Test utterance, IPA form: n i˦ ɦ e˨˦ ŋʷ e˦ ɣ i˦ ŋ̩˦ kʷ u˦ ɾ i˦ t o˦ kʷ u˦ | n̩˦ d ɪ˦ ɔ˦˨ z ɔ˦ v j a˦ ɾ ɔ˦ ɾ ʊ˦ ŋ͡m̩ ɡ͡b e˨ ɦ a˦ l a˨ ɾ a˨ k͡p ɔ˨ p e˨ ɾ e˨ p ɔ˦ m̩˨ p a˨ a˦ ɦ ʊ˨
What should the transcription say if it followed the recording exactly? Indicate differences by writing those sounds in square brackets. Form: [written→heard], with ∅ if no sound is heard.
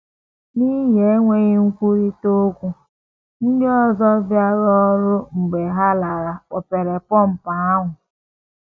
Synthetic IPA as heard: n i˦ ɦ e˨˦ ŋʷ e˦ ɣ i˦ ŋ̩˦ kʷ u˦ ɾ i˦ t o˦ kʷ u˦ | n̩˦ d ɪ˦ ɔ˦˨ z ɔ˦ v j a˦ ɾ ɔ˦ ɾ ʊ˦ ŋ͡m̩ ɡ͡b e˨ ɦ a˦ l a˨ ɾ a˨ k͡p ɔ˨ p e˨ ɾ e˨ p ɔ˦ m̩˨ p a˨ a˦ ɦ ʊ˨